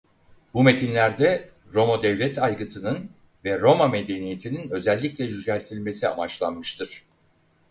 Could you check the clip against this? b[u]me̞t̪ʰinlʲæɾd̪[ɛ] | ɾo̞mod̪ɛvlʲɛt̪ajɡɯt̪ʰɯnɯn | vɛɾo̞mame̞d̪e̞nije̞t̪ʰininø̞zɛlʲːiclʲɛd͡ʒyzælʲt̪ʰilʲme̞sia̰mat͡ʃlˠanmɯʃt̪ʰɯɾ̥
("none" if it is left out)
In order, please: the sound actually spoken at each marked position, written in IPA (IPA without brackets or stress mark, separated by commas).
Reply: u, ɛ